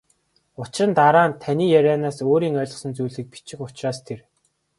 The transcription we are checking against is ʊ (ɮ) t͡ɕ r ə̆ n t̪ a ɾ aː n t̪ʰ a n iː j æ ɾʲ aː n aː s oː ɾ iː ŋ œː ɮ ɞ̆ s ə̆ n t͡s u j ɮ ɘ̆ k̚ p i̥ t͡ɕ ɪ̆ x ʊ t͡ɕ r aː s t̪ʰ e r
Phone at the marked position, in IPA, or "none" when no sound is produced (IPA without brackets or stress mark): none